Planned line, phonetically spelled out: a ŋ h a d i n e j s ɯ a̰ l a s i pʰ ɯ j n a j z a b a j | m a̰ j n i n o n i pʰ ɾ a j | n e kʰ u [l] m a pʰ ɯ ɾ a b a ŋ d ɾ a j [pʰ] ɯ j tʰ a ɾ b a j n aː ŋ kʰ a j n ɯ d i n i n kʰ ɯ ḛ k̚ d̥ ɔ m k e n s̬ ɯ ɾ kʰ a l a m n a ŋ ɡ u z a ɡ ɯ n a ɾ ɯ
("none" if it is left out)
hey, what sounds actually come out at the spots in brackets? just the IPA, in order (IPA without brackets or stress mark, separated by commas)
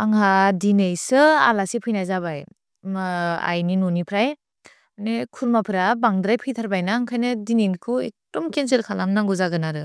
ɾ, pʰ